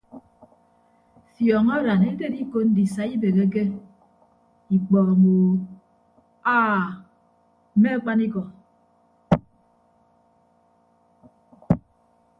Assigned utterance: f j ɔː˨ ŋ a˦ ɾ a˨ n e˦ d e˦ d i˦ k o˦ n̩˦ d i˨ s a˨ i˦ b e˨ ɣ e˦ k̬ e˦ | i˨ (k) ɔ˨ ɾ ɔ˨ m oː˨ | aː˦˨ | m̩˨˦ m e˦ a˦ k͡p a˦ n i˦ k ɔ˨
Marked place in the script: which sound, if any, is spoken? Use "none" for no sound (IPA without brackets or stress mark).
k͡p